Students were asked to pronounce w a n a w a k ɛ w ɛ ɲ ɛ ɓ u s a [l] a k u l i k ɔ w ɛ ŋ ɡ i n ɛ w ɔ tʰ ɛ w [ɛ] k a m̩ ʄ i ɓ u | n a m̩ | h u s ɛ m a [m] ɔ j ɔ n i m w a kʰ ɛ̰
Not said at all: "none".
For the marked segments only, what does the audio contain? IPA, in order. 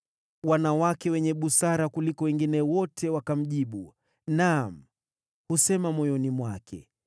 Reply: ɾ, a, m

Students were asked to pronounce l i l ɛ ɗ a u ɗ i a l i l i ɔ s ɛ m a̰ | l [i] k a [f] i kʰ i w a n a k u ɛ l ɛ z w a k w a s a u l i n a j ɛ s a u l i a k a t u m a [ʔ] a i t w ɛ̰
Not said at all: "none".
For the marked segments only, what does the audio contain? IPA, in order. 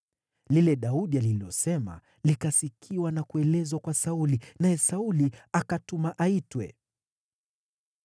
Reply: i, s, ʔ

